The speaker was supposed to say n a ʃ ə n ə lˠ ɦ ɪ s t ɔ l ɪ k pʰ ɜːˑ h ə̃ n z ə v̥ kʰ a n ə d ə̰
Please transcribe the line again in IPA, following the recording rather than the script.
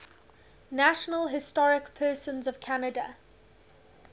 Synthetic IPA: n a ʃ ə n ə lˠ ɦ ɪ s t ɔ ɹ ɪ k pʰ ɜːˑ s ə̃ n z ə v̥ kʰ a n ə d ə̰